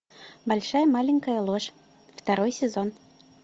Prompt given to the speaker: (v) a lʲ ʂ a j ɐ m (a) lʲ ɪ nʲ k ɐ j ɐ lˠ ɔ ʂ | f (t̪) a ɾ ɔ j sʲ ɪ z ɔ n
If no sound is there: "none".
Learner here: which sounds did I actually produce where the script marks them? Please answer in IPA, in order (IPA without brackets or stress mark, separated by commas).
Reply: b, a, t̪